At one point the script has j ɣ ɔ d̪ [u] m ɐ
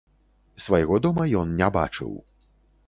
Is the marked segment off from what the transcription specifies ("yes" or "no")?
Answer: yes